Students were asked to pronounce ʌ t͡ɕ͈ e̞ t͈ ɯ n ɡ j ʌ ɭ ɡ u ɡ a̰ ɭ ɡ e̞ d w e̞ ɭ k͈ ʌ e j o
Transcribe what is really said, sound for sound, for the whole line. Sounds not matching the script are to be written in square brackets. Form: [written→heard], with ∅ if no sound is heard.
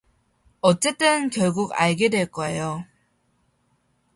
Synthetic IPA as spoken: ʌ t͡ɕ͈ e̞ t͈ ɯ n [ɡ→k] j ʌ ɭ ɡ u ɡ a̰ ɭ ɡ e̞ d w e̞ ɭ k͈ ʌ e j o